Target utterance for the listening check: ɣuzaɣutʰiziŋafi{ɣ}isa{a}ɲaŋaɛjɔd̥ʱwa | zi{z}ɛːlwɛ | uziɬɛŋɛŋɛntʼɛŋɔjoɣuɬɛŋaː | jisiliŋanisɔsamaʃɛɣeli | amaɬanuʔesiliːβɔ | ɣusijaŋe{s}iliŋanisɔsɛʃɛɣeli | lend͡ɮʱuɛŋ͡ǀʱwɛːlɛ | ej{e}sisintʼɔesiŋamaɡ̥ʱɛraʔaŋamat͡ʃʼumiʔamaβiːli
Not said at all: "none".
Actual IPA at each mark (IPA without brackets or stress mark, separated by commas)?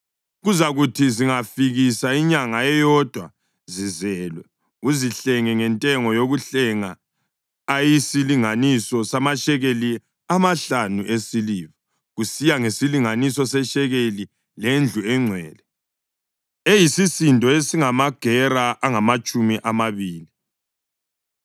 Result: ɣ, i, z, s, i